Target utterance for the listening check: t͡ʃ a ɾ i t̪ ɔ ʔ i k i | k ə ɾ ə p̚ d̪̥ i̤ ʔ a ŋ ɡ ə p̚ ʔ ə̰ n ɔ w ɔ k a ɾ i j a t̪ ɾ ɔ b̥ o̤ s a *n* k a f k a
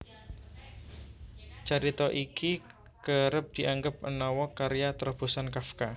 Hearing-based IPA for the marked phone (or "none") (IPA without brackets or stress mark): n